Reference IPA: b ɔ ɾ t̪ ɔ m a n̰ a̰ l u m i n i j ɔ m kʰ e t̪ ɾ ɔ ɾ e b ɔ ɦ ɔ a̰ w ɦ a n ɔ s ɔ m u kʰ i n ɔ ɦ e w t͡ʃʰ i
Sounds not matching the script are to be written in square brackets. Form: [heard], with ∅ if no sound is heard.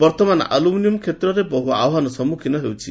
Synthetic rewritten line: b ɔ ɾ t̪ ɔ m a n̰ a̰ l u m i n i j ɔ m kʰ e t̪ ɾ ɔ ɾ e b ɔ ɦ [u] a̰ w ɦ a n ɔ s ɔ m u kʰ i n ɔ ɦ e w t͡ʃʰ i